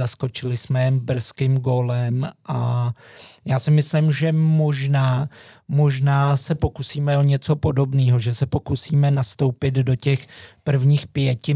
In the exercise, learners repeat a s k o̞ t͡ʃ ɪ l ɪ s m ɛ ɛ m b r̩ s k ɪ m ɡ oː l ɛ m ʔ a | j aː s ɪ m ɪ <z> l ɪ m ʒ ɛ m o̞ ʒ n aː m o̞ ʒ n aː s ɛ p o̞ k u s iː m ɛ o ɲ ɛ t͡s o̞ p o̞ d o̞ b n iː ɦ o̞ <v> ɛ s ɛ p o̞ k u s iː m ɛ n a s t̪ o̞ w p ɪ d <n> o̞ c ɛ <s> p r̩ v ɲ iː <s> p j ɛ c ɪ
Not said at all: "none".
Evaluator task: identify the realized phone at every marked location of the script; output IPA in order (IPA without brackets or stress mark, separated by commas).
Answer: s, ʒ, d, x, x